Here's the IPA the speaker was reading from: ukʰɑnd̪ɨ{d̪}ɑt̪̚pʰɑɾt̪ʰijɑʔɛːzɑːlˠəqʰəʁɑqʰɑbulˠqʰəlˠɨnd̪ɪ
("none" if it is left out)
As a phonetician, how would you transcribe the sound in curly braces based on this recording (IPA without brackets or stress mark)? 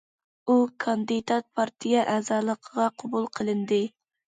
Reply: d̪